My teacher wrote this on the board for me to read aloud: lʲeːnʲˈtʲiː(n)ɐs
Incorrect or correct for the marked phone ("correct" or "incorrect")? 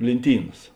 correct